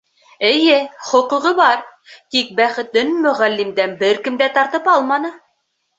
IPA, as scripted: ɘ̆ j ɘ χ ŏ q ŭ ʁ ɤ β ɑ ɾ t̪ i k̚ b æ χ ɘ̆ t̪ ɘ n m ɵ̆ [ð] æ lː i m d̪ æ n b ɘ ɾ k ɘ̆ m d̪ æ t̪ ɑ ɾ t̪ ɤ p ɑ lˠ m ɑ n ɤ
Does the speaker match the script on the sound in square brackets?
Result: no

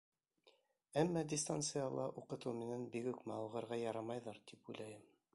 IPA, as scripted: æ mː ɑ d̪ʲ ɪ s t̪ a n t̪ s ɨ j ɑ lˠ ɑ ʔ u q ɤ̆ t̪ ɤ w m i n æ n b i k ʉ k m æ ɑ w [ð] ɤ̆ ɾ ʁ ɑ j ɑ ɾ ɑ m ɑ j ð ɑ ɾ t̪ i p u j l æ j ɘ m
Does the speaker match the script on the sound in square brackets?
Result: no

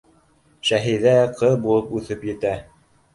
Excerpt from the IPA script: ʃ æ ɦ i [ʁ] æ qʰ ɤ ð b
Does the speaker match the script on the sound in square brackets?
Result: no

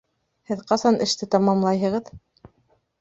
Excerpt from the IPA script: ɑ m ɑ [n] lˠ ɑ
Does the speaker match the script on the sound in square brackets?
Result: no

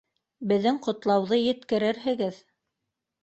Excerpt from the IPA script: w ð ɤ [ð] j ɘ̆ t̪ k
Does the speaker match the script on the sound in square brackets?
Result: no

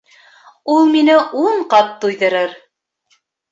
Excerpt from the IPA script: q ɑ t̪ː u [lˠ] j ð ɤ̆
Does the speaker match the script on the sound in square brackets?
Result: no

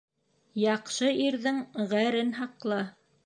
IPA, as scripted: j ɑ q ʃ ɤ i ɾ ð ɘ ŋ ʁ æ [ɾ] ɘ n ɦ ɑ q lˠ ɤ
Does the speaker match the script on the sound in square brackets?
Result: yes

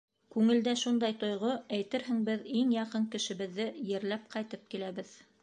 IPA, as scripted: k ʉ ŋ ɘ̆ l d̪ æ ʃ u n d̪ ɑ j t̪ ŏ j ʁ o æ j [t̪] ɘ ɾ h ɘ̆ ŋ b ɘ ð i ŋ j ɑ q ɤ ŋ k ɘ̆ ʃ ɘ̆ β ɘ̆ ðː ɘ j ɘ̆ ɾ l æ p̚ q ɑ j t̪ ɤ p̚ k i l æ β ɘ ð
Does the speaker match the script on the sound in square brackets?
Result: yes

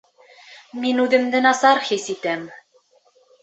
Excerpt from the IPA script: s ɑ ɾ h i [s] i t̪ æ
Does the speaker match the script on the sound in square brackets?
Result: yes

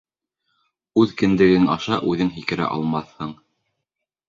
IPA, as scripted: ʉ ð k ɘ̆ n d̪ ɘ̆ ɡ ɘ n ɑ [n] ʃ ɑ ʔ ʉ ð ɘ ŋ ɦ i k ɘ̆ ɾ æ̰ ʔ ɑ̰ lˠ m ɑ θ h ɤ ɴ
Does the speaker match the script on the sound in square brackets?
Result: no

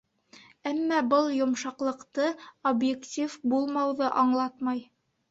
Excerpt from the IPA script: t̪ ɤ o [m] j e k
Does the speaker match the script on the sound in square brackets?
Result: no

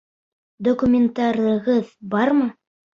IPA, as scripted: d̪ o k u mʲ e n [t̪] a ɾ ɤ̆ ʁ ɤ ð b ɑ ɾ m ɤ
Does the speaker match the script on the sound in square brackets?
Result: yes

